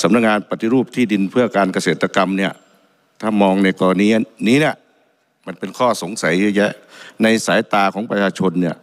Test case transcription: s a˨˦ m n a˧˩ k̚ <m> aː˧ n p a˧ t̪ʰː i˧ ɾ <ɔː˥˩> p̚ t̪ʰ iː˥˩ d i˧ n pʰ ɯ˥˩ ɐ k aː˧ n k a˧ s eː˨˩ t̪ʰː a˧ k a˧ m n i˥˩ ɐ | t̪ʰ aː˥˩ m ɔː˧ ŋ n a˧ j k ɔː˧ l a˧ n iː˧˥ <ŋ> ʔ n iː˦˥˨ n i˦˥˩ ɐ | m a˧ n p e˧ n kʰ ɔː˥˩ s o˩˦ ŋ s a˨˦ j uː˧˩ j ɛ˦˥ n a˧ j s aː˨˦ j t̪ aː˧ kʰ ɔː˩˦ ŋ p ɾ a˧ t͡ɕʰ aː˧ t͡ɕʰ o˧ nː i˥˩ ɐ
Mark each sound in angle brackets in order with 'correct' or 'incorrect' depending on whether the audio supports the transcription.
incorrect: ŋ, incorrect: uː˥˩, incorrect: none

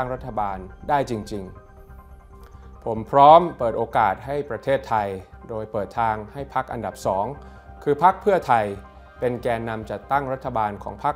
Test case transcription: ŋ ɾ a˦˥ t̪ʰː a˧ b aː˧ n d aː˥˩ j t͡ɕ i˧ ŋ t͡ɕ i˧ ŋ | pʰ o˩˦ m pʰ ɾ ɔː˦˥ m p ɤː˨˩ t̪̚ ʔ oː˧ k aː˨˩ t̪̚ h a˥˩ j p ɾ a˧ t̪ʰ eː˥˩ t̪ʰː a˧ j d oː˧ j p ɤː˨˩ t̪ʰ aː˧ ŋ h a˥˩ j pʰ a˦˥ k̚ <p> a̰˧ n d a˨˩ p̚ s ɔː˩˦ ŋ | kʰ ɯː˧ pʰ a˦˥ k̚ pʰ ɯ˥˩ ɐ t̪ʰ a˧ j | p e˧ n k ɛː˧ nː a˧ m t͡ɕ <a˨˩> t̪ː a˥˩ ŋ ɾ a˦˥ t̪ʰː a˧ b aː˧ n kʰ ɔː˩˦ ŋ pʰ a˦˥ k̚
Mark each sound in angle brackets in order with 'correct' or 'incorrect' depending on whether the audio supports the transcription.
incorrect: ʔ, correct

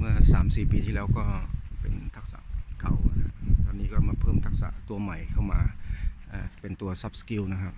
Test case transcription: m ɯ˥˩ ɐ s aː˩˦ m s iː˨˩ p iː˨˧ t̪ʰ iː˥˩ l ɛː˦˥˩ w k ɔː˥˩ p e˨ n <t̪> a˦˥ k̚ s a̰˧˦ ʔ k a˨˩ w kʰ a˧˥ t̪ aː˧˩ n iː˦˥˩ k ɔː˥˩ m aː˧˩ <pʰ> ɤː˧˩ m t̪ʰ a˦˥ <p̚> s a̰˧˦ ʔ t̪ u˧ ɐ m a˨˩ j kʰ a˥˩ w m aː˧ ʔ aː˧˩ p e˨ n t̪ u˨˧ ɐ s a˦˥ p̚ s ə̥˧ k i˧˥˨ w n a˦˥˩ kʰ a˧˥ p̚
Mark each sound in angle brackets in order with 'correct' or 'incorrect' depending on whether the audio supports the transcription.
incorrect: t̪ʰ, correct, incorrect: k̚

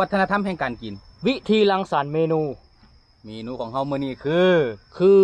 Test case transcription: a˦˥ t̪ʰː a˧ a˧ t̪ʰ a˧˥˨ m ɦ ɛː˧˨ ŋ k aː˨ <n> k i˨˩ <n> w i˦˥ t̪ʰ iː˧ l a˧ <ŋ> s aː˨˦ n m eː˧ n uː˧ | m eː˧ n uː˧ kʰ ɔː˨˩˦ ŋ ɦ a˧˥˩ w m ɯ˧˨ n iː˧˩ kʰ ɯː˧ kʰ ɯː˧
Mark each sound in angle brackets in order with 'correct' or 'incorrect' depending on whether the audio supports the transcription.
correct, correct, correct

